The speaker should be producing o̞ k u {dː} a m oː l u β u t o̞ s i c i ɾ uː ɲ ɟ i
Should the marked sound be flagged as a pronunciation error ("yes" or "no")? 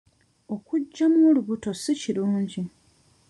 yes